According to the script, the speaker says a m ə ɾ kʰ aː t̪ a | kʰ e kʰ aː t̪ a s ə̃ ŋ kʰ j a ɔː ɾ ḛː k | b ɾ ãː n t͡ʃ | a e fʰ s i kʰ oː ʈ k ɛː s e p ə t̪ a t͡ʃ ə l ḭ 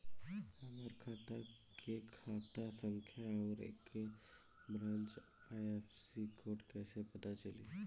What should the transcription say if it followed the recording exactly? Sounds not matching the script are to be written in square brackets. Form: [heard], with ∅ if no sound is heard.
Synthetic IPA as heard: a m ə ɾ kʰ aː t̪ a | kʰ e kʰ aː t̪ a s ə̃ ŋ kʰ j a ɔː ɾ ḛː k | b ɾ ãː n t͡ʃ | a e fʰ s i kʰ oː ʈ k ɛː s e p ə t̪ a t͡ʃ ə l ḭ

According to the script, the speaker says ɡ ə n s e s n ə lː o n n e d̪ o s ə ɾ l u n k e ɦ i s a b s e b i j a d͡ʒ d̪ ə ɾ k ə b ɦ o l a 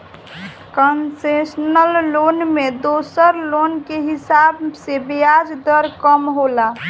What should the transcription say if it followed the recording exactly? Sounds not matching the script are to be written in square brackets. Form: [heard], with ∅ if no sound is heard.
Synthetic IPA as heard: [k] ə n s e s n ə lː o n [m] e d̪ o s ə ɾ l [o] n k e ɦ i s a b s e b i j a d͡ʒ d̪ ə ɾ k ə [m] ɦ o l a

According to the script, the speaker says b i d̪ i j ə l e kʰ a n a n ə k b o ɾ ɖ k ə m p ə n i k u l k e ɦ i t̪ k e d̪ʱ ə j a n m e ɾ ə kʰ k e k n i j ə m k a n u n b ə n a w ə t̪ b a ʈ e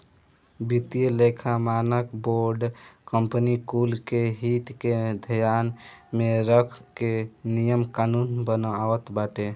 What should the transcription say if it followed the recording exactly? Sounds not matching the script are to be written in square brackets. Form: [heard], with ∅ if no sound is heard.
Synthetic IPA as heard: b i [t̪] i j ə l e kʰ a [m] a n ə k b o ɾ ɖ k ə m p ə n i k u l k e ɦ i t̪ k e d̪ʱ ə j a n m e ɾ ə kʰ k e [∅] n i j ə m k a n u n b ə n a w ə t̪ b a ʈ e

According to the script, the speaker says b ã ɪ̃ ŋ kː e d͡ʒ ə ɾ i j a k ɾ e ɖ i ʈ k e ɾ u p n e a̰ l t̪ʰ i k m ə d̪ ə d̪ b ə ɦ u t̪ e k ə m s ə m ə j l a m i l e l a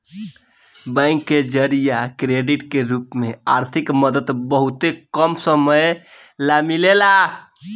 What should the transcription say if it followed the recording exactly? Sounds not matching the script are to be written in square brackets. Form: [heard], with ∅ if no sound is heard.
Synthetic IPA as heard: b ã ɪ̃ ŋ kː e d͡ʒ ə ɾ i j a k ɾ e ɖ i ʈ k e ɾ u p [m] e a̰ [ɾ] t̪ʰ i k m ə d̪ ə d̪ b ə ɦ u t̪ e k ə m s ə m ə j l a m i l e l a

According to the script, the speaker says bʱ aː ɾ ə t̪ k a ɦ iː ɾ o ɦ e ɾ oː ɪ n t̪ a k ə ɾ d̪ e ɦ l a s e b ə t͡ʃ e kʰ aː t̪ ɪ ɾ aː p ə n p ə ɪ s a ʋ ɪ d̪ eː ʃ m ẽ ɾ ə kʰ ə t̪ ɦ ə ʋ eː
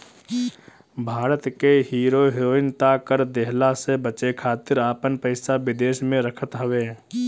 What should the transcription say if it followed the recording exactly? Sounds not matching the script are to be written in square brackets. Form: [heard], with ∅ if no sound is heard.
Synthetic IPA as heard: bʱ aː ɾ ə t̪ k [e] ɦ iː ɾ o ɦ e ɾ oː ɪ n t̪ a k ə ɾ d̪ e ɦ l a s e b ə t͡ʃ e kʰ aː t̪ ɪ ɾ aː p ə n p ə ɪ s a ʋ ɪ d̪ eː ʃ m ẽ ɾ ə kʰ ə t̪ ɦ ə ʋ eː

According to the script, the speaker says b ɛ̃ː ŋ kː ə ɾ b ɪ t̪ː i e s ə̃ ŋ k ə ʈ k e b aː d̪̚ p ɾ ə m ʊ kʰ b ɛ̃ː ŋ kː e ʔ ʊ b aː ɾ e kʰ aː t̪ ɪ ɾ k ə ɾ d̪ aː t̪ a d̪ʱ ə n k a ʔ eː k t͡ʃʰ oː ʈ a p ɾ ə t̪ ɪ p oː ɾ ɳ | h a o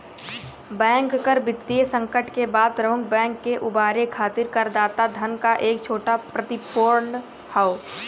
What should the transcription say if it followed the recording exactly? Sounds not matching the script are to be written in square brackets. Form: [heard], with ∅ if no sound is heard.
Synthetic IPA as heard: b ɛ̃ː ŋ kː ə ɾ b ɪ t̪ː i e s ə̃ ŋ k ə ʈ k e b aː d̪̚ p ɾ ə m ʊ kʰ b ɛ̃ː ŋ kː e ʔ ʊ b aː ɾ e kʰ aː t̪ ɪ ɾ k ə ɾ d̪ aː t̪ a d̪ʱ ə n k a ʔ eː k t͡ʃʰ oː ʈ a p ɾ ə t̪ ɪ p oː ɾ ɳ | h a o

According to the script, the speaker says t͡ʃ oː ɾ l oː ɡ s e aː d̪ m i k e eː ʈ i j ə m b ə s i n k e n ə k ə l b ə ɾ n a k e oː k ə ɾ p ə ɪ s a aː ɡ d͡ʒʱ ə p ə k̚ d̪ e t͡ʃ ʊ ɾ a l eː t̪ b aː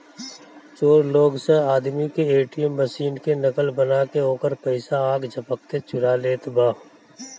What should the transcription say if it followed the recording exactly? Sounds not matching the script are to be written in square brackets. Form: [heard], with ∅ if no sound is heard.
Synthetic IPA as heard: t͡ʃ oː ɾ l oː ɡ s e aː d̪ m i k e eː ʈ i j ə m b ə s [iː] n k e n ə k ə l b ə [∅] n a k e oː k ə ɾ p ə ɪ s a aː ɡ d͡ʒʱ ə p ə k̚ [t̪] e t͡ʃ ʊ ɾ a l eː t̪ b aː

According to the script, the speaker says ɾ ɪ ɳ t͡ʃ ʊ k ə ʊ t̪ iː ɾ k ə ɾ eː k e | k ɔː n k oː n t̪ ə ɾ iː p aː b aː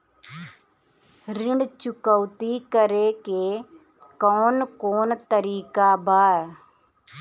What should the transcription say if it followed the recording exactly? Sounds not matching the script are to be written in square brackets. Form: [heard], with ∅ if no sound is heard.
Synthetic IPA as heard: ɾ ɪ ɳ t͡ʃ ʊ k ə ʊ t̪ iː [∅] k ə ɾ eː k e | k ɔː n k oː n t̪ ə ɾ iː [k] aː b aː

